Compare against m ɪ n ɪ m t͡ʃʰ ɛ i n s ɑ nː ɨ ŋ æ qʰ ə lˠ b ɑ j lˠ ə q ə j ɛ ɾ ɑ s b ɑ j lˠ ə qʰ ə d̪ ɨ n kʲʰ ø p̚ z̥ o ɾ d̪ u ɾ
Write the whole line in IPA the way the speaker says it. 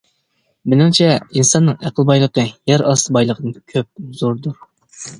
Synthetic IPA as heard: m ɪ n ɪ ŋ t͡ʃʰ ɛ i n s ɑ nː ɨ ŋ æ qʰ ə lˠ b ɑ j lˠ ə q ə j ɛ ɾ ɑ s b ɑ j lˠ ə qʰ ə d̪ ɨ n kʲʰ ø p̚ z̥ o ɾ d̪ u ɾ